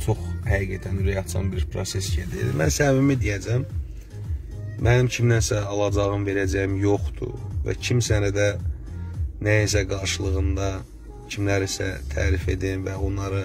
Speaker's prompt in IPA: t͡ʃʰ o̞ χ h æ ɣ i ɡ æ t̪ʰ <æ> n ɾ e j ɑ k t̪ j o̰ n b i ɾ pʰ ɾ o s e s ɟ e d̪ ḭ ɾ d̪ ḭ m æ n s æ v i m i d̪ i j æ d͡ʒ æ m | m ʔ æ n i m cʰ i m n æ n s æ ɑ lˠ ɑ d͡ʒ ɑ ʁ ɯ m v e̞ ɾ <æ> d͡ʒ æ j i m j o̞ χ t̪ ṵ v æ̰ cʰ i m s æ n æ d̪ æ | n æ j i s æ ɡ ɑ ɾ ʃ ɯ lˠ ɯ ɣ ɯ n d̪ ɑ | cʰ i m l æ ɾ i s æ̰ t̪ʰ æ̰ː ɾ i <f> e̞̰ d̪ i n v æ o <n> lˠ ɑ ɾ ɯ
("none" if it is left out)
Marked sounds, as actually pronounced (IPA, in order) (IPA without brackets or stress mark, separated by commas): æ, æ, f, n